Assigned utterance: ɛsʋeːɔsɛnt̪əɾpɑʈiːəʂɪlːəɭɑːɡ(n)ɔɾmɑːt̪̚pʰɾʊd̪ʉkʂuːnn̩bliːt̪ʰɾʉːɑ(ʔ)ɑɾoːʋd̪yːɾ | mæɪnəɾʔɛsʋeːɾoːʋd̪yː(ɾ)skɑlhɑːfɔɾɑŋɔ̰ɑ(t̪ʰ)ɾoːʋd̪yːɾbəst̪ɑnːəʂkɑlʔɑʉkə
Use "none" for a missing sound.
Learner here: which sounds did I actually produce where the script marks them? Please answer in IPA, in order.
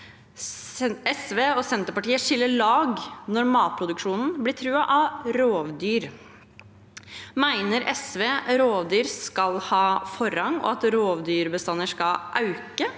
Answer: n, ʔ, ɾ, t̪

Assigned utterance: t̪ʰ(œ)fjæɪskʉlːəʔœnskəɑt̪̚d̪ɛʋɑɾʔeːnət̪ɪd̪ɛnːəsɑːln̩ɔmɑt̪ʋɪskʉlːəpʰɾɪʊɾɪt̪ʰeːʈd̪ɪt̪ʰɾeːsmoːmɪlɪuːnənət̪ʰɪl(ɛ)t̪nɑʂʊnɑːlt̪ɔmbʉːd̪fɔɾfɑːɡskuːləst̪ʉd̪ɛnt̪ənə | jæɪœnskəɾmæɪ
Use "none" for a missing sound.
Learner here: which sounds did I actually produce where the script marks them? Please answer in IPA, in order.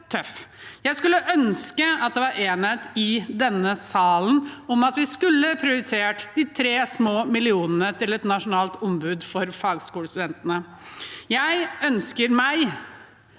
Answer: œ, ɛ

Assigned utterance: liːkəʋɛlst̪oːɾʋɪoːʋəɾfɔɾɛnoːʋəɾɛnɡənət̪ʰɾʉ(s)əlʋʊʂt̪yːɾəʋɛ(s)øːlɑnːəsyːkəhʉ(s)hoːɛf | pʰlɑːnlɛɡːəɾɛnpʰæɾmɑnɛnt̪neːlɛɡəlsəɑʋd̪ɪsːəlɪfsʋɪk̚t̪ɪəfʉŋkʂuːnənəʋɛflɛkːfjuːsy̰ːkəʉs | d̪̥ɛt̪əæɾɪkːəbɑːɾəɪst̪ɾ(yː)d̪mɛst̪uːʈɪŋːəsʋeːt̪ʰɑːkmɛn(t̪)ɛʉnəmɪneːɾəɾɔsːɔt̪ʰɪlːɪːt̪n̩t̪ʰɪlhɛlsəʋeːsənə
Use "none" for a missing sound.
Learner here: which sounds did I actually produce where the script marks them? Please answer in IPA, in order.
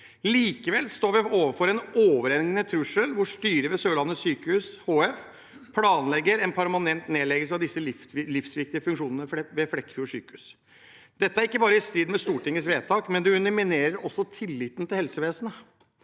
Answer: ʂ, s, s, iː, d̪

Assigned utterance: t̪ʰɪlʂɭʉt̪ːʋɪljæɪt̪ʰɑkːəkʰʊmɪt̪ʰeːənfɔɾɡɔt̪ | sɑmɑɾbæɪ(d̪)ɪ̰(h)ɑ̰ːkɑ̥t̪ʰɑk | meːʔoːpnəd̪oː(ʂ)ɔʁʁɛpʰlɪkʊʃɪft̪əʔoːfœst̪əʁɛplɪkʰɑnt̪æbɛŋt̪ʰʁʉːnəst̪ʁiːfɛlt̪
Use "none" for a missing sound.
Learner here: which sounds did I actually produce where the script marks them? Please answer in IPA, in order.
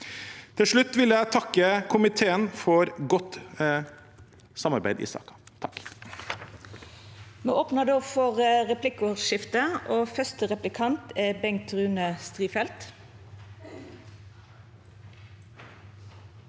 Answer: d̪, s, f

